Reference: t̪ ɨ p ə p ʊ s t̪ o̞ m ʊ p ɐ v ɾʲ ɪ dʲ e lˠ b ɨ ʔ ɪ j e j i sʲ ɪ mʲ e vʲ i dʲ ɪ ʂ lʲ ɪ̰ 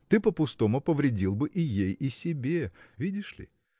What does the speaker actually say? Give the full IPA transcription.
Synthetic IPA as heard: t̪ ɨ p ə p ʊ s t̪ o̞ m ʊ p ə v ɾʲ ɪ dʲ i lˠ b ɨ ʔ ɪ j e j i sʲ ɪ bʲ e vʲ i dʲ ɪ ʂ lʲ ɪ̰